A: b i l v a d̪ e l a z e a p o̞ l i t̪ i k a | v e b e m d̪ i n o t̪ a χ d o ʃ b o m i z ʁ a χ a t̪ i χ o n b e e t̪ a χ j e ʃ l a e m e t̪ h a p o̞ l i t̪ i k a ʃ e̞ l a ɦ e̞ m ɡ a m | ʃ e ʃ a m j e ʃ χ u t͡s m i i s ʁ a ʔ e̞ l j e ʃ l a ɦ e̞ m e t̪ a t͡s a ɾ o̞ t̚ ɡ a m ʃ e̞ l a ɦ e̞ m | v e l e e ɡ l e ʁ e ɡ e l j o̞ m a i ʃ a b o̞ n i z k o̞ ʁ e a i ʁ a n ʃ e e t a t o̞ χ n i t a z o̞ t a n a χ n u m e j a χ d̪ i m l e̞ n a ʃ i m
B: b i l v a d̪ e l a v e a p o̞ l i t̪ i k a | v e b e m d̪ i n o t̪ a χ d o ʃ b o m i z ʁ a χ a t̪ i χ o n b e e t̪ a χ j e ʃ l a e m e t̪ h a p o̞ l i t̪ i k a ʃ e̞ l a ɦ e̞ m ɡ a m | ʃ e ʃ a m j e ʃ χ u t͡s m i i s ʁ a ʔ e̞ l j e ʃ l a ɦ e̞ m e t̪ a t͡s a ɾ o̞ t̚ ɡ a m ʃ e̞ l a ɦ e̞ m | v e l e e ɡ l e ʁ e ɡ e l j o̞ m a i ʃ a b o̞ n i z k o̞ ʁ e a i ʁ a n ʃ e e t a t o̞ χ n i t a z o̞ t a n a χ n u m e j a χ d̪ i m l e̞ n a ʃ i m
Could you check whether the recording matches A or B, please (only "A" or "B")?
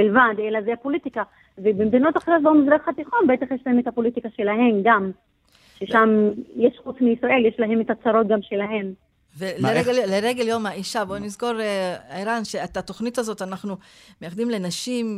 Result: A